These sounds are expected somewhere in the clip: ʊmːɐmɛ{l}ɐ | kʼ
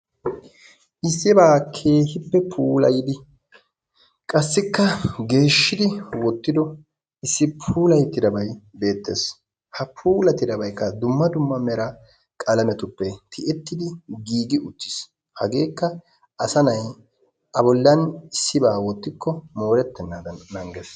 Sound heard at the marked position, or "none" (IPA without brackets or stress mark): ɾ